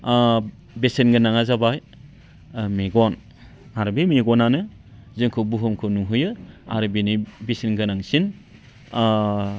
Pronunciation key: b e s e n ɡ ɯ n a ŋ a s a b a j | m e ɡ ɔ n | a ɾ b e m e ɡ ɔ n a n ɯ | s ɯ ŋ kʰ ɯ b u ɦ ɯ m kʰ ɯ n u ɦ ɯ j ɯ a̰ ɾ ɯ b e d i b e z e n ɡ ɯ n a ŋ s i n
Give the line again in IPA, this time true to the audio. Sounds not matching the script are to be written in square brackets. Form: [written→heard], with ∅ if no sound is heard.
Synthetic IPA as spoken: b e s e n ɡ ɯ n a ŋ a [s→z] a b a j | m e ɡ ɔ n | a ɾ b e m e ɡ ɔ n a n ɯ | [s→z] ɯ ŋ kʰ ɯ b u ɦ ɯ m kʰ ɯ n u ɦ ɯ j ɯ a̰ ɾ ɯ b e [d→n] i b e [z→s] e n ɡ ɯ n a ŋ s i n